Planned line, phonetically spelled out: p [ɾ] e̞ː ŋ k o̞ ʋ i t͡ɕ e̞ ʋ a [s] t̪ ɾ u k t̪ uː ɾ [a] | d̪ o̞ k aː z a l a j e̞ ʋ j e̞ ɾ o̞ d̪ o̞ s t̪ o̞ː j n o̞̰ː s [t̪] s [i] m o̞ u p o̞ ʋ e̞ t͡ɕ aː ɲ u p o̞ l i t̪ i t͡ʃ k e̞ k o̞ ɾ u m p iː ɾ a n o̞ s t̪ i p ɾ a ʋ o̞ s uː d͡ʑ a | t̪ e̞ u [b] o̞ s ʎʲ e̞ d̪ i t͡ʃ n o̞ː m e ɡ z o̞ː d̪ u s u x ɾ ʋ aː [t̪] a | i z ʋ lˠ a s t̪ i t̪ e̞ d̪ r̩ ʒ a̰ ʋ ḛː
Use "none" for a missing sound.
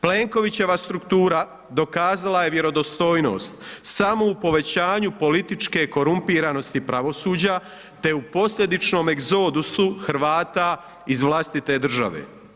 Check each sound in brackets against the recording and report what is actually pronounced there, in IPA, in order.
l, s, a, t̪, a, p, t̪

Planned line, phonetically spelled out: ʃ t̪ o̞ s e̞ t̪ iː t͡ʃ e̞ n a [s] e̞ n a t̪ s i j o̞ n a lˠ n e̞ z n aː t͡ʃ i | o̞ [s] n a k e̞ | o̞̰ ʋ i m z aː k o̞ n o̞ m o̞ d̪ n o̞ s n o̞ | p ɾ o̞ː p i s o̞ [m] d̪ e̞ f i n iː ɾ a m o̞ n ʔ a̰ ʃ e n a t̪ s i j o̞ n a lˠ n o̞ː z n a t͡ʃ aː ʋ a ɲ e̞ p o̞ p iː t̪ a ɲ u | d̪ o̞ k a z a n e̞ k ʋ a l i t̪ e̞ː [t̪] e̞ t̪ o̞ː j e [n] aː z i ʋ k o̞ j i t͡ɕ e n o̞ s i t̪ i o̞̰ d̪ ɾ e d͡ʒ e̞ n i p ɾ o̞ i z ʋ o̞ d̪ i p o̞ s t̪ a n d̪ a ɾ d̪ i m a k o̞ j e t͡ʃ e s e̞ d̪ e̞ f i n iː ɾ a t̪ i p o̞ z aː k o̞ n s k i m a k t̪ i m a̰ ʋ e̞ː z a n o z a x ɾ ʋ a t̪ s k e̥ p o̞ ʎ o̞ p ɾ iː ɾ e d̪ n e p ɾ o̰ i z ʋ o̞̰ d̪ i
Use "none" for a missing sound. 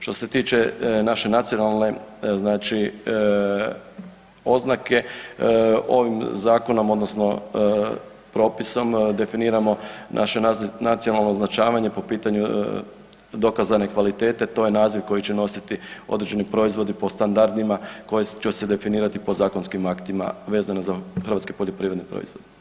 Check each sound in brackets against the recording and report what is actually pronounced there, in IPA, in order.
ʃ, z, m, t̪, n

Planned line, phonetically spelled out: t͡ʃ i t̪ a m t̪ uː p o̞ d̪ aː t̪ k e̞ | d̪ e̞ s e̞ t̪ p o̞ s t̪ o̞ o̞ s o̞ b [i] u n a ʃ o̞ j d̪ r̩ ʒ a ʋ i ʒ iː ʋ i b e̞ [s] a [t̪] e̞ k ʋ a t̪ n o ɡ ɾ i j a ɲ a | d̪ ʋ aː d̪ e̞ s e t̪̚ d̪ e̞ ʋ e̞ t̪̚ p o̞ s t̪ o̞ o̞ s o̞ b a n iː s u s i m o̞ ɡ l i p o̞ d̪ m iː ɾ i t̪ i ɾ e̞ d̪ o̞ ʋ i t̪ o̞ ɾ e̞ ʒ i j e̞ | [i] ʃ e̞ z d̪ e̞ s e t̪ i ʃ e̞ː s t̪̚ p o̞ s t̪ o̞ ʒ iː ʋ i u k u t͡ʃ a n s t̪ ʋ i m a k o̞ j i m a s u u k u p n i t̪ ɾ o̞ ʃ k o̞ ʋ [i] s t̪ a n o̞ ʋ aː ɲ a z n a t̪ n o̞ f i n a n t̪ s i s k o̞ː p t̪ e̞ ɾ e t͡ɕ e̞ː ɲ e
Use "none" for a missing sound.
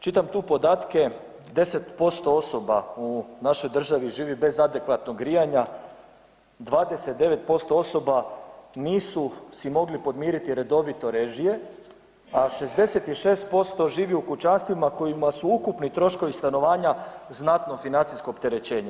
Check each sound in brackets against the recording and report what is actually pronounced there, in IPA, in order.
a, z, d̪, a, i

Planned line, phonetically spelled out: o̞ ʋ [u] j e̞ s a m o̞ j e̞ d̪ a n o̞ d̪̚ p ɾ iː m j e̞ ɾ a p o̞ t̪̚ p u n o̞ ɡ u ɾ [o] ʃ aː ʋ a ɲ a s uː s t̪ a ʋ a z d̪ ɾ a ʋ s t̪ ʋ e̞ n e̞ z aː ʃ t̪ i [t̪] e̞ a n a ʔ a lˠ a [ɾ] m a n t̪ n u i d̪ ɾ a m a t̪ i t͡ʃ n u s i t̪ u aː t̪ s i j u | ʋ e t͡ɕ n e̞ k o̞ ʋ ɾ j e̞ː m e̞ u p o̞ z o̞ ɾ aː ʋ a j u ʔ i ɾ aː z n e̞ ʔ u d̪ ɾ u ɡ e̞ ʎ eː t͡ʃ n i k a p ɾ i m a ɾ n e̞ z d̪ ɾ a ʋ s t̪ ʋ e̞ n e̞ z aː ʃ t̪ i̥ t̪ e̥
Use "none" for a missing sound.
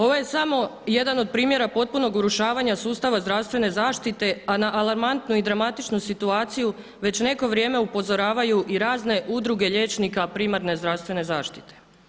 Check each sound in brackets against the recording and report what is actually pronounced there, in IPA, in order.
o, u, t̪, ɾ

